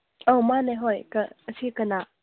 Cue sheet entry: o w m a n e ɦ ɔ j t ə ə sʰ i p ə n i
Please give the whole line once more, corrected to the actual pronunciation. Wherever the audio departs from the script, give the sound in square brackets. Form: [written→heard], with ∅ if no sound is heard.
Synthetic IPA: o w m a n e ɦ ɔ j [t→k] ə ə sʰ i [p→k] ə n [i→a]